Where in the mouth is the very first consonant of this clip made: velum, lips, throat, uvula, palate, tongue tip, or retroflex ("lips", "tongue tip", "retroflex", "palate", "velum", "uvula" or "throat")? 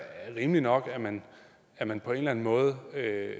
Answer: uvula